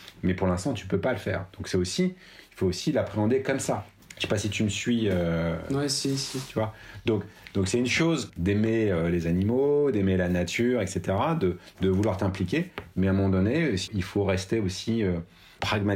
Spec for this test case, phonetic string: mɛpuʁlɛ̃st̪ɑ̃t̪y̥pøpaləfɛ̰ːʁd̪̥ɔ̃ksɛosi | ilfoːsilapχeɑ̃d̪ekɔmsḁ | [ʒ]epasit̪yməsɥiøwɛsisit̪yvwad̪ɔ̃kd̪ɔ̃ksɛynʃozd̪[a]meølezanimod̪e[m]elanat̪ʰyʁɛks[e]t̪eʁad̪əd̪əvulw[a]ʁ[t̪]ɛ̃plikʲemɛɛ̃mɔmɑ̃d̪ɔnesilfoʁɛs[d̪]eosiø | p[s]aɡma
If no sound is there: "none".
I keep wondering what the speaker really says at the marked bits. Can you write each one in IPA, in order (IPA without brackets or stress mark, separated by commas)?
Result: ʃ, e, m, e, a, t̪, t̪, χ